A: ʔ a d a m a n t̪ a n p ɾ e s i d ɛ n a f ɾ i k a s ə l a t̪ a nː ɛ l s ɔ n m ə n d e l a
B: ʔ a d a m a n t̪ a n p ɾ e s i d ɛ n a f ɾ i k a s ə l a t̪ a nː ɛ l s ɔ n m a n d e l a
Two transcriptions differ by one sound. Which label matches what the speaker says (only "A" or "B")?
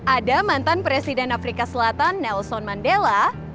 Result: B